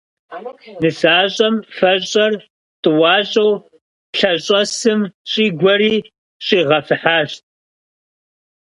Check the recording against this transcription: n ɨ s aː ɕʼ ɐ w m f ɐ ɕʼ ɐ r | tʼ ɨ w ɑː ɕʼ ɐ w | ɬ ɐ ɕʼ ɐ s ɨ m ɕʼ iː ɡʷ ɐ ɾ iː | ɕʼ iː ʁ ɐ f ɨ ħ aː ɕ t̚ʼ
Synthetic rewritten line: n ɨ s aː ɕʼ ɐ m f ɐ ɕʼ ɐ r | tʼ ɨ w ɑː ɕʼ ɐ w | ɬ ɐ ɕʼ ɐ s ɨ m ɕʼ iː ɡʷ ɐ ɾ iː | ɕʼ iː ʁ ɐ f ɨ ħ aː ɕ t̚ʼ